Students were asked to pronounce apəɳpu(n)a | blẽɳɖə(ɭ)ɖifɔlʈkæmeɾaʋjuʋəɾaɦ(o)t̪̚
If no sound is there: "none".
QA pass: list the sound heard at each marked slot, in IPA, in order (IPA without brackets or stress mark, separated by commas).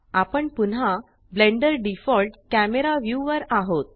n, ɾ, o